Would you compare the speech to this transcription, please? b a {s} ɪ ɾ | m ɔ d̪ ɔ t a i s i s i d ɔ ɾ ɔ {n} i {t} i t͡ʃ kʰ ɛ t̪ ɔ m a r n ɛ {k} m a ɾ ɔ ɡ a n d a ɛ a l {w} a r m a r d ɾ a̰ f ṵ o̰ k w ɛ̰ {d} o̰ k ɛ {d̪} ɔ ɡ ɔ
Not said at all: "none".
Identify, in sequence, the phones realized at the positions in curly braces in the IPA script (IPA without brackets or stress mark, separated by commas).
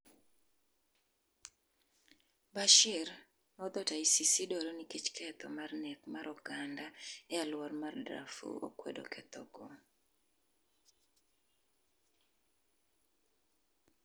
ʃ, n, k, k, w, d, t̪